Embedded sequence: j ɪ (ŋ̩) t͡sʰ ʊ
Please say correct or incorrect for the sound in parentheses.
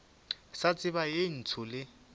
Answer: incorrect